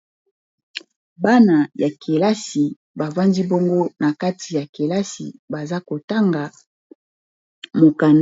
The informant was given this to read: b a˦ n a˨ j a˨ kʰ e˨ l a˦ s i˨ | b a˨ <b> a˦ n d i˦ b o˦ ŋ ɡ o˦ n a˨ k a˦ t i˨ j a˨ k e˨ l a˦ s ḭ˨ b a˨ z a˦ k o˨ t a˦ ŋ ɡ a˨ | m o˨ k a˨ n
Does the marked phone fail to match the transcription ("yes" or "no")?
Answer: yes